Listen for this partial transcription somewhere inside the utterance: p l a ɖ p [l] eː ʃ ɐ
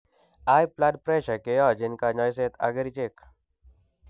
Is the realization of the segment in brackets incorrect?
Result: yes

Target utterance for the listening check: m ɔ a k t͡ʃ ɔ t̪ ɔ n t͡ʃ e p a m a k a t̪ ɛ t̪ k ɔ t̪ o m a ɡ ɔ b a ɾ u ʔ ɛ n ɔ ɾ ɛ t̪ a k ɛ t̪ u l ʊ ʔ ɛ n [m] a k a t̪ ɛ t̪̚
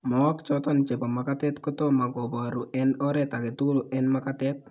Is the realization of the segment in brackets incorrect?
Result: no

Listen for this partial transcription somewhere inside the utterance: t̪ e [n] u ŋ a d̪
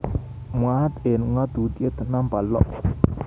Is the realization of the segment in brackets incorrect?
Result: no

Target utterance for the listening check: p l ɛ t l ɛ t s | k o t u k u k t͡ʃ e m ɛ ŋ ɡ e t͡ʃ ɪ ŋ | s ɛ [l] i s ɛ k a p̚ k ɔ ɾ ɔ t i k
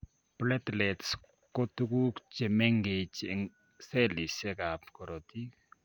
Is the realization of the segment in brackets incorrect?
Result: no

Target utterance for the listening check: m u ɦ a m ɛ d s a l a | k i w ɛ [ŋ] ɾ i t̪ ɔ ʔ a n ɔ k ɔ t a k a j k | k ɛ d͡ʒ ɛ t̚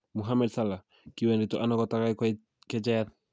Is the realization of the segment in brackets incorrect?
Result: yes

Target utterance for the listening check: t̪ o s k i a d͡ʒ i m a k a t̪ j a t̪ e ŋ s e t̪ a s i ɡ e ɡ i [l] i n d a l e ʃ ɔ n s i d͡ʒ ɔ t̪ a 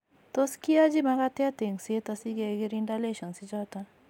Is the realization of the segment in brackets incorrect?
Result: yes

